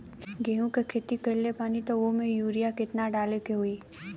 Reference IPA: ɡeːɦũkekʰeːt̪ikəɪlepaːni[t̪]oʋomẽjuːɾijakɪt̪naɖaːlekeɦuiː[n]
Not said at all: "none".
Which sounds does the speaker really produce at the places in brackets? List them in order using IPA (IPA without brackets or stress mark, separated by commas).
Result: t̪, none